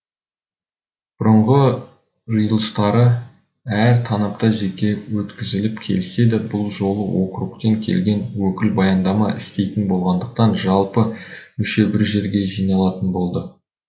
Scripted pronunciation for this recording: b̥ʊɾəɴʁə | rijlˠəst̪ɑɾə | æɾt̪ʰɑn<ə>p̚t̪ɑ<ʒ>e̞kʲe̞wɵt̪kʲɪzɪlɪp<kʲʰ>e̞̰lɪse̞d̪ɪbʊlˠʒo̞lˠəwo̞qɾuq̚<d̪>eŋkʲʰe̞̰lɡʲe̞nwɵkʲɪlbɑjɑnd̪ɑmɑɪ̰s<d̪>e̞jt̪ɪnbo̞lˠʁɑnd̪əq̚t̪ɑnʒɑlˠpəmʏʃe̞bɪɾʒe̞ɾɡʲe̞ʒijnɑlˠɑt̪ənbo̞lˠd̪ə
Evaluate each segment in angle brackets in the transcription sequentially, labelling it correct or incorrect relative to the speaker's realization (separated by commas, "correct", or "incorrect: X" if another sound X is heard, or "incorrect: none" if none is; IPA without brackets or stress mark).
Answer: incorrect: ɑ, correct, correct, incorrect: t̪, incorrect: t̪